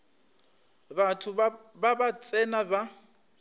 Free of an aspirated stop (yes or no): no